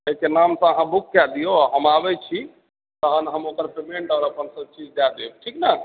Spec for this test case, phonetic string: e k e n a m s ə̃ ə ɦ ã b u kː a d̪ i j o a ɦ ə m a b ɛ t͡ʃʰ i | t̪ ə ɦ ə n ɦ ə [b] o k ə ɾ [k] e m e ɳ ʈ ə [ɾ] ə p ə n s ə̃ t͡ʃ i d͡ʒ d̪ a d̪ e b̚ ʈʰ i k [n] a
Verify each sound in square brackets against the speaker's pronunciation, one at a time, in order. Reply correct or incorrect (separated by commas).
incorrect, incorrect, correct, correct